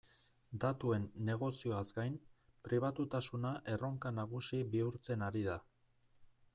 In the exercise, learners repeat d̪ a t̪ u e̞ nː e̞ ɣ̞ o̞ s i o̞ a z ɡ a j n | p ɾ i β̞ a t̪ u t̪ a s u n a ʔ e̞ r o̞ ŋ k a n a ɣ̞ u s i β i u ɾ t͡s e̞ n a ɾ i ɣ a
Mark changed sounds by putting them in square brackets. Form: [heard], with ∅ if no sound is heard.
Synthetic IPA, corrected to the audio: d̪ a t̪ u e̞ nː e̞ ɣ̞ o̞ s i o̞ a z ɡ a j n | p ɾ i β̞ a t̪ u t̪ a s u n a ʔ e̞ r o̞ ŋ k a n a ɣ̞ u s i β i u ɾ t͡s e̞ n a ɾ i [ð] a